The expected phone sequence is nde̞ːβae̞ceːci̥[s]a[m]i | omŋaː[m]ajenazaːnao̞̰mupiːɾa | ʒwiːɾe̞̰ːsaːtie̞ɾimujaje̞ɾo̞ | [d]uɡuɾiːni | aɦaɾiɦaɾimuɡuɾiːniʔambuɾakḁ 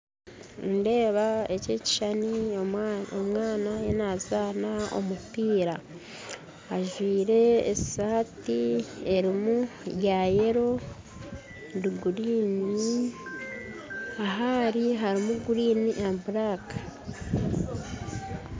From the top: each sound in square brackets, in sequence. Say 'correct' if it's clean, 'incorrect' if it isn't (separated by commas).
incorrect, incorrect, incorrect, correct